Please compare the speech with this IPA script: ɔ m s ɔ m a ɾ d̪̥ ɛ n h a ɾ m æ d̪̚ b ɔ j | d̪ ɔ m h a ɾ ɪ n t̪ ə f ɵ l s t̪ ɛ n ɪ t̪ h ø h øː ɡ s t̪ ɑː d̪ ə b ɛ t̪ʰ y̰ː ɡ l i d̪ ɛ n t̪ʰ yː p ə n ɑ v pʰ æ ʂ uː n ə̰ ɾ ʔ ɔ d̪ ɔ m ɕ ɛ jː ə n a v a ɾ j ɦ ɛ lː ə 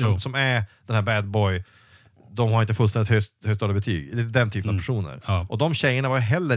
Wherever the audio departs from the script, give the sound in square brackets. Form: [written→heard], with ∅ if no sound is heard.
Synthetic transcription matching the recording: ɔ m s ɔ m [a→æ] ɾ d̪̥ ɛ n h [a→æ] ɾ [m→b] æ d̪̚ b ɔ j | d̪ ɔ m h a ɾ ɪ n t̪ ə f ɵ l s t̪ ɛ n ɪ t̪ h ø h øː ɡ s t̪ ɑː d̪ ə b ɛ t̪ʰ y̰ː ɡ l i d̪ ɛ n t̪ʰ yː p ə n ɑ v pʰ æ ʂ uː n ə̰ ɾ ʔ ɔ d̪ ɔ m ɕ ɛ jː ə [n→ɳ] a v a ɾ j ɦ ɛ lː ə